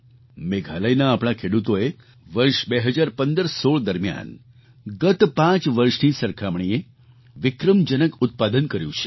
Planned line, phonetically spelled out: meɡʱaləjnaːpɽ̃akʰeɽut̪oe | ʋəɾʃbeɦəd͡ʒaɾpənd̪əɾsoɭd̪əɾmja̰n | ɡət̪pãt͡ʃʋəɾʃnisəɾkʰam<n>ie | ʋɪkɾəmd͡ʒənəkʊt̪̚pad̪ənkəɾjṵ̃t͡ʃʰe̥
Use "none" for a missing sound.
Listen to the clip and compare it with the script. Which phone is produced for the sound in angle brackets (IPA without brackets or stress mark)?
ɳ